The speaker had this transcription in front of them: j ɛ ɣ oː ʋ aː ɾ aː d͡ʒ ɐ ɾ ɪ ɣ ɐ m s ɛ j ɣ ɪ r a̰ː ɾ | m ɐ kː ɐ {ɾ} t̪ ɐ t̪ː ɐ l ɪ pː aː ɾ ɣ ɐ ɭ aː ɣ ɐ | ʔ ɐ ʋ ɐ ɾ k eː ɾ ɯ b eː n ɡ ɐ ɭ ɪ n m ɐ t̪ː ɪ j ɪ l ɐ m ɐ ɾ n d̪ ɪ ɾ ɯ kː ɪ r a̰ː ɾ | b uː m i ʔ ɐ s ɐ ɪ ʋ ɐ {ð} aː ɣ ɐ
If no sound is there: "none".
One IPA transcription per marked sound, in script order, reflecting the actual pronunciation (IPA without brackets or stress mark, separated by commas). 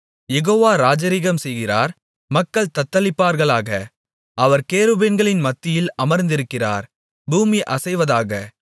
ɭ, ð